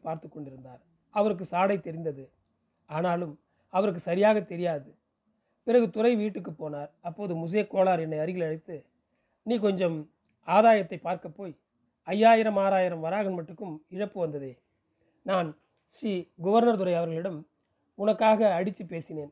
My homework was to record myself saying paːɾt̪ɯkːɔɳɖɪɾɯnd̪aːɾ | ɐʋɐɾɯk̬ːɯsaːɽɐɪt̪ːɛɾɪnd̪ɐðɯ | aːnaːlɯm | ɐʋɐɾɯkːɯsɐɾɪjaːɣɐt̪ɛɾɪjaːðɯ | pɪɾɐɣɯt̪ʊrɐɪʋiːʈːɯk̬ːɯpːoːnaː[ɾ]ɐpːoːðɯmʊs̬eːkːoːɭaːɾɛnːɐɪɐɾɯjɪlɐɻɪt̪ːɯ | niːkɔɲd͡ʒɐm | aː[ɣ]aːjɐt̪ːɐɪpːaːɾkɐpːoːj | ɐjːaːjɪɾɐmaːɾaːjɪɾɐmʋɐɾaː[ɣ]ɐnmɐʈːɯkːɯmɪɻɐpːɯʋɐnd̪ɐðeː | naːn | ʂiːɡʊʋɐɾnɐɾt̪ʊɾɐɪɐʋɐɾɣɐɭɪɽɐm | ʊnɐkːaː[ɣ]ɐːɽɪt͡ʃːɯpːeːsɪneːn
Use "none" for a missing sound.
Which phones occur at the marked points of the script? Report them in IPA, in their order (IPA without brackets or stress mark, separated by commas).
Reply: ɾ, ð, ɣ, ɣ